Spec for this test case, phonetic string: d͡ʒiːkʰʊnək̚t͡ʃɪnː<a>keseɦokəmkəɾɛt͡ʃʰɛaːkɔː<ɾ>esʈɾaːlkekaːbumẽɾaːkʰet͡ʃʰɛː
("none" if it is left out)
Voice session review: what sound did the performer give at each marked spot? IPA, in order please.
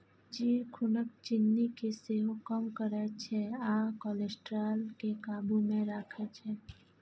i, l

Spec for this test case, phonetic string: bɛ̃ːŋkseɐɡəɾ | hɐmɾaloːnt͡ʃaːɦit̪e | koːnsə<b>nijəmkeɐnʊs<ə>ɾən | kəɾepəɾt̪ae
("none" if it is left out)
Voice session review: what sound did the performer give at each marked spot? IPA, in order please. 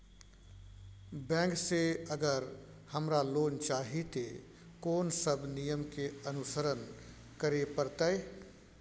b, ə

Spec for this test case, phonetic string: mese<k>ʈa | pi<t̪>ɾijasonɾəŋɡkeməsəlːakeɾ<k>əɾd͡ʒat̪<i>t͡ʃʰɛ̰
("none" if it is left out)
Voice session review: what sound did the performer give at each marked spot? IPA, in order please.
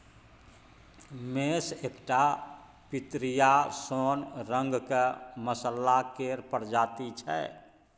k, t̪, p, i

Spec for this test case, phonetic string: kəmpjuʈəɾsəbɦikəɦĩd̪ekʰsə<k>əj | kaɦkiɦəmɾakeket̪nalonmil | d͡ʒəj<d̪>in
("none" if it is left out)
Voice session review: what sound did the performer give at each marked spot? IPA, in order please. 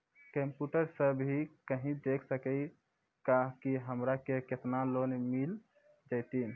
k, t̪

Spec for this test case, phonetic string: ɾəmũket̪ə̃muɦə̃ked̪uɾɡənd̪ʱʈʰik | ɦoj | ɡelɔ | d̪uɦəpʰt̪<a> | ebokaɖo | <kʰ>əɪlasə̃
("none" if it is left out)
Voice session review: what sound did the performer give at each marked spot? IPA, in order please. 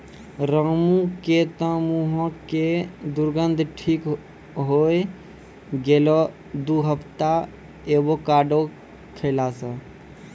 a, kʰ

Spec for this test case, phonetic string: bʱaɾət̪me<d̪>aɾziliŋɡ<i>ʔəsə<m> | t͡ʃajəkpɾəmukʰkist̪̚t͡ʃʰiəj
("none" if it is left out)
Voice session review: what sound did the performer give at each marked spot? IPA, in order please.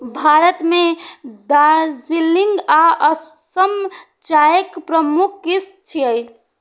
d̪, a, m

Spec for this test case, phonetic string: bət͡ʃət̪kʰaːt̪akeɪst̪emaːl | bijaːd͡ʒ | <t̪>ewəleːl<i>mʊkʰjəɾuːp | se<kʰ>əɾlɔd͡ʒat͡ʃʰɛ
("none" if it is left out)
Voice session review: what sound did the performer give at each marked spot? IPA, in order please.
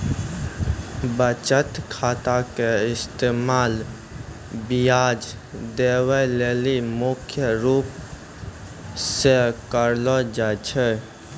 d̪, i, k

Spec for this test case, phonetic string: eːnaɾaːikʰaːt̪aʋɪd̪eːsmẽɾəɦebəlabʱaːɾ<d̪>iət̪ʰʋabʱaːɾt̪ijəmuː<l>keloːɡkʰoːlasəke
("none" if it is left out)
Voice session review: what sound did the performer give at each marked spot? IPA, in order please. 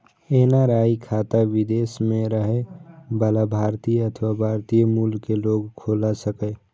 t̪, l

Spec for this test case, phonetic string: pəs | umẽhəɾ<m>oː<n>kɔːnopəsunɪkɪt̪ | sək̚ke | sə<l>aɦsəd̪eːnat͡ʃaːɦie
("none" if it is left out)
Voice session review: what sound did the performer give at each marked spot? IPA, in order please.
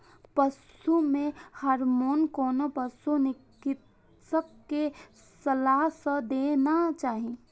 m, n, l

